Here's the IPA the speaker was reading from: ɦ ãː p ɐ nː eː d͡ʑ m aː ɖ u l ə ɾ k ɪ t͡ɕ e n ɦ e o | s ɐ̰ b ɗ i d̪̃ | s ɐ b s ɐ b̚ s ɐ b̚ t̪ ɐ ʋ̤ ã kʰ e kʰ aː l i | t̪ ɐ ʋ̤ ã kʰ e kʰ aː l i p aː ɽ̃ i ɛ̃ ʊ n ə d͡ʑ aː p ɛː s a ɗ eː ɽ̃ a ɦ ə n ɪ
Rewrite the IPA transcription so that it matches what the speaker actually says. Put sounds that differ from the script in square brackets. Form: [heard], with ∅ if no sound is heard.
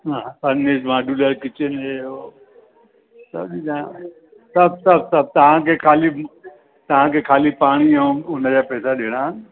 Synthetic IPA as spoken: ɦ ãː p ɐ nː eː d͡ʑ m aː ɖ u l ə ɾ k ɪ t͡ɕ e n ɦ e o | s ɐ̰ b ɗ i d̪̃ | s ɐ b s ɐ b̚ s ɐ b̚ t̪ ɐ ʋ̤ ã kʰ e kʰ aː l i | t̪ ɐ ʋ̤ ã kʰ e kʰ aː l i p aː ɽ̃ i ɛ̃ ʊ n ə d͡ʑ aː p ɛː s a ɗ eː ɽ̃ a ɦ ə n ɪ

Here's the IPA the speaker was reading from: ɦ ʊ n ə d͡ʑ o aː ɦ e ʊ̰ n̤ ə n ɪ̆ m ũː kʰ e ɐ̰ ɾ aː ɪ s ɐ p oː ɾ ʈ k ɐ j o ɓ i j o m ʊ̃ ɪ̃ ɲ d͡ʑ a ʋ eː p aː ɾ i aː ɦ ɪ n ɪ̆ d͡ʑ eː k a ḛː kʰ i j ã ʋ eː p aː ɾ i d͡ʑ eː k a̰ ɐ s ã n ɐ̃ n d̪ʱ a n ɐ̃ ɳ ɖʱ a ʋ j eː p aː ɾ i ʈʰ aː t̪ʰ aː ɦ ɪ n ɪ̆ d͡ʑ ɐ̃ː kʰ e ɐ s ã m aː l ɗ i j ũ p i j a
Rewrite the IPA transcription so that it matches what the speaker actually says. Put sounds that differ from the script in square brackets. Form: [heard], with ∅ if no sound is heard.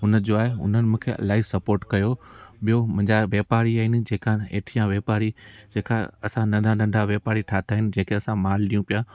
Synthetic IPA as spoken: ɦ ʊ n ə d͡ʑ o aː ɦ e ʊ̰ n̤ ə n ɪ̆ m ũː kʰ e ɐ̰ [l] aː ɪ s ɐ p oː ɾ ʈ k ɐ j o ɓ i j o m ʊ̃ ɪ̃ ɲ d͡ʑ a ʋ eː p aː ɾ i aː ɦ ɪ n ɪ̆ d͡ʑ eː k a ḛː [ʈʰ] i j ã ʋ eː p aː ɾ i d͡ʑ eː k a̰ ɐ s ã n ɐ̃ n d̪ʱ a n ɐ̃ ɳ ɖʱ a ʋ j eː p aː ɾ i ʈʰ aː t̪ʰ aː ɦ ɪ n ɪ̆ d͡ʑ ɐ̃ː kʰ e ɐ s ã m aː l ɗ i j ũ p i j a

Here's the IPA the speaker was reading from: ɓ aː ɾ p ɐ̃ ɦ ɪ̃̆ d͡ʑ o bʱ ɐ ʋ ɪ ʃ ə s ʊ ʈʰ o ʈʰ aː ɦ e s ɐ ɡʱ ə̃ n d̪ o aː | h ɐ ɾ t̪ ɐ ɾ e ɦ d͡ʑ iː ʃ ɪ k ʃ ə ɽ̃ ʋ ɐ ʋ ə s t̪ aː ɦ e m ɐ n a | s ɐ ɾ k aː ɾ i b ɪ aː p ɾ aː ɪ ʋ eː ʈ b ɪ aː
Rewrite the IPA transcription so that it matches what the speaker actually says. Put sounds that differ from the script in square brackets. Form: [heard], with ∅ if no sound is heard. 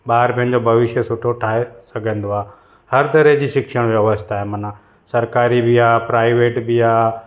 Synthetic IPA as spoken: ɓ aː ɾ p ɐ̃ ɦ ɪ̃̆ d͡ʑ o bʱ ɐ ʋ ɪ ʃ ə s ʊ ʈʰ o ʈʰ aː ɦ e s ɐ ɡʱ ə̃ n d̪ o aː | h ɐ ɾ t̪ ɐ ɾ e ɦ d͡ʑ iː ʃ ɪ k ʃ ə ɽ̃ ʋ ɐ ʋ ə s t̪ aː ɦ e m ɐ n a | s ɐ ɾ k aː ɾ i b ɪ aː p ɾ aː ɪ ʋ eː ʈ b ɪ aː

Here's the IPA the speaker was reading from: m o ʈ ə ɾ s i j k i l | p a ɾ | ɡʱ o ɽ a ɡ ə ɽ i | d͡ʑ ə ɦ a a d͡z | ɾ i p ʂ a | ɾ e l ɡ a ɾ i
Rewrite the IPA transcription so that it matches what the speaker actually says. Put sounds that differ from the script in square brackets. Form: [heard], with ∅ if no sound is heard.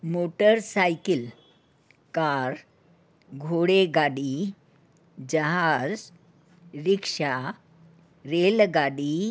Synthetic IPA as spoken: m o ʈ ə ɾ s [a] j k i l | [k] a ɾ | ɡʱ o ɽ [e] ɡ [a] ɽ i | d͡ʑ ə ɦ a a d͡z | ɾ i [k] ʂ a | ɾ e l ɡ a [ɽ] i

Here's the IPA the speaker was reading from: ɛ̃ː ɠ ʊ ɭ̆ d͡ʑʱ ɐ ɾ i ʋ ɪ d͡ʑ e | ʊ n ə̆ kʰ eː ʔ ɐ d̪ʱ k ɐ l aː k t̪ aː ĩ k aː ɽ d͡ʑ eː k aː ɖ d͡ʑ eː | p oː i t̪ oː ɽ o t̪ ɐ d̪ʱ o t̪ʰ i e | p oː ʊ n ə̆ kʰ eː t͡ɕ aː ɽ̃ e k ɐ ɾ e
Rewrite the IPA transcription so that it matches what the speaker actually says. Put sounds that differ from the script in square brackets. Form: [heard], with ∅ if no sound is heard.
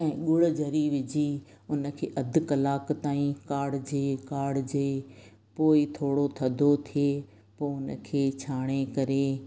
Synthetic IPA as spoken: ɛ̃ː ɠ ʊ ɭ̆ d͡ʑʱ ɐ ɾ i ʋ ɪ d͡ʑ [i] | ʊ n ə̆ kʰ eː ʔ ɐ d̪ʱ k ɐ l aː k t̪ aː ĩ k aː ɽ d͡ʑ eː k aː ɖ d͡ʑ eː | p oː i [t̪ʰ] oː ɽ o [t̪ʰ] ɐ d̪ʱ o t̪ʰ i e | p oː ʊ n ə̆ kʰ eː [t͡ɕʰ] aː ɽ̃ e k ɐ ɾ e

